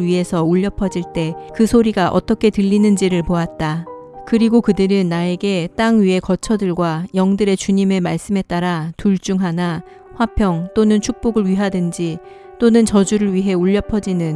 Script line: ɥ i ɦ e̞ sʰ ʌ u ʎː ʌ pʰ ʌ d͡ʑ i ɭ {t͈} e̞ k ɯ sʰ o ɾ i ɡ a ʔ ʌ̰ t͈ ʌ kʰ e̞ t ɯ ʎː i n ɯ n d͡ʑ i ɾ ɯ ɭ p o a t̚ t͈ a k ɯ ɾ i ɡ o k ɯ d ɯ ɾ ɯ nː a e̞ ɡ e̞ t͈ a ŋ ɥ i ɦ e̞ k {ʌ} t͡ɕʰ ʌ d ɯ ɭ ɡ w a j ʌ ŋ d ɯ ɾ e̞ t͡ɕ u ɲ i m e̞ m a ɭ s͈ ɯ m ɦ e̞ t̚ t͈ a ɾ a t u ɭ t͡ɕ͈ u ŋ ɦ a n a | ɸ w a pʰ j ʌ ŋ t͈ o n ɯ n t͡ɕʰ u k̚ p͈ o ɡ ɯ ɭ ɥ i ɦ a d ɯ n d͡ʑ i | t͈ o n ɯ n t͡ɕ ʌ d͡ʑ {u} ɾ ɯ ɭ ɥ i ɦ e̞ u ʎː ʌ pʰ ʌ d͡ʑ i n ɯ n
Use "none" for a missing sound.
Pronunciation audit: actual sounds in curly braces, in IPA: t͈, ʌ, u

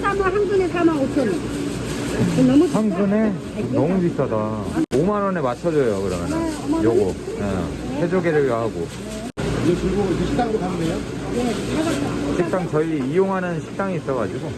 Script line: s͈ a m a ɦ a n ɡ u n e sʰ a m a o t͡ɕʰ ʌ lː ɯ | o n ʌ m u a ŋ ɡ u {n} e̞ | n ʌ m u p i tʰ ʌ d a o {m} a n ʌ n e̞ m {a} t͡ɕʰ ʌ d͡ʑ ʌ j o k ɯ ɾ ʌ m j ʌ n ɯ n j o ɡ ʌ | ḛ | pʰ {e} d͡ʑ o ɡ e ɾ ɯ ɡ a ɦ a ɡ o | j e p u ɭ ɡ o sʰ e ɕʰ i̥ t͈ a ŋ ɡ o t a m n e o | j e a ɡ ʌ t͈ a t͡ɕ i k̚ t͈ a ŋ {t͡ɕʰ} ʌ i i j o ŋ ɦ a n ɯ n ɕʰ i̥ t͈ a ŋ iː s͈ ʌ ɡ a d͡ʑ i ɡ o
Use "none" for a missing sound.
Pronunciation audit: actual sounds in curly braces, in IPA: n, m, a, e, t͡ɕ

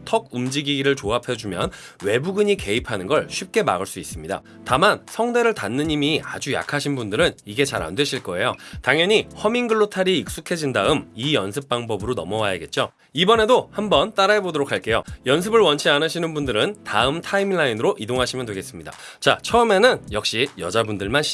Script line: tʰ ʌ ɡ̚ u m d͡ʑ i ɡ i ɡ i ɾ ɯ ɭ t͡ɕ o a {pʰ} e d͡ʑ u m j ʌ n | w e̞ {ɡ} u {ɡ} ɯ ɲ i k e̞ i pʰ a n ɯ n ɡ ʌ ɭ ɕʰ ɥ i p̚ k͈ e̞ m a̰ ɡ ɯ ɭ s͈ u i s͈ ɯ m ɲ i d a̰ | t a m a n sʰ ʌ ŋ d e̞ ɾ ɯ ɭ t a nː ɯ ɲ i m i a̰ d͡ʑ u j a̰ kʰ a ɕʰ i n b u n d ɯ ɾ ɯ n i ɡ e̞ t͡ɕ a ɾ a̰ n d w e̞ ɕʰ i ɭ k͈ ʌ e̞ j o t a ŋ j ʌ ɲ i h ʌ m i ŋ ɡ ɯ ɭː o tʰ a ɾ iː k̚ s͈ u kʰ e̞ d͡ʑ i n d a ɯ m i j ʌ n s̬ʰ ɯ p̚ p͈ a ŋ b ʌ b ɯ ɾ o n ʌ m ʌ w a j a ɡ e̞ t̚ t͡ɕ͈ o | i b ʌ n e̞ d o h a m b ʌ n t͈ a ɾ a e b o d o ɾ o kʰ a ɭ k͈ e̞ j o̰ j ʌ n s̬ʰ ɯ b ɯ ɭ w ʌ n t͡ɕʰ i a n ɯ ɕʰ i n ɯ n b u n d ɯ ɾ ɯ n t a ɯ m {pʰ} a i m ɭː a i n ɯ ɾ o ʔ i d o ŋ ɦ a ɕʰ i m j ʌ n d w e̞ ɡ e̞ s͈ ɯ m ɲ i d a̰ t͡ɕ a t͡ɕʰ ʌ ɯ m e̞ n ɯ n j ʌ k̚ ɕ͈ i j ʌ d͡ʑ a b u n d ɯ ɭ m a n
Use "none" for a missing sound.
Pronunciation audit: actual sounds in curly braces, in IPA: pʰ, b, ɡ, tʰ

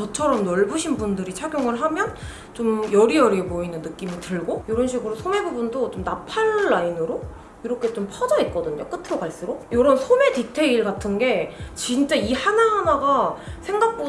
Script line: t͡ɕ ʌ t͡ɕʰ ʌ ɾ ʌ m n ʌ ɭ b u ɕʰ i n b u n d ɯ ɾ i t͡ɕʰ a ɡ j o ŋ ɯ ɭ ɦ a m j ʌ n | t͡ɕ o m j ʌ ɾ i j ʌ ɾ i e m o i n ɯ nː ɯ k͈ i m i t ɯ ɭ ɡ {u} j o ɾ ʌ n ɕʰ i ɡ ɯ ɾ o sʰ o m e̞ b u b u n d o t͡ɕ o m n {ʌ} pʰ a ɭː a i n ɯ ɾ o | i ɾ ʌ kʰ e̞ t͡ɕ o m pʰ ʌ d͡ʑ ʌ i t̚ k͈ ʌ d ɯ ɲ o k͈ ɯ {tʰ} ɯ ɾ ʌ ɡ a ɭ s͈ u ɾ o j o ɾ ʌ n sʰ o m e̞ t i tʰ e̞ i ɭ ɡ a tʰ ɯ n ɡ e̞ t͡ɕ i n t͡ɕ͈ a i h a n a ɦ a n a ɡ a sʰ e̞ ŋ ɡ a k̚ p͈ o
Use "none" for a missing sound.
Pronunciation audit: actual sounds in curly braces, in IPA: o, a, tʰ

